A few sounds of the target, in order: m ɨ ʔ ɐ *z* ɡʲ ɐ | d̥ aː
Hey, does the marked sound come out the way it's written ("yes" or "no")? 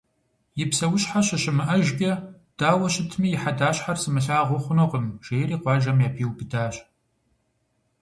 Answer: no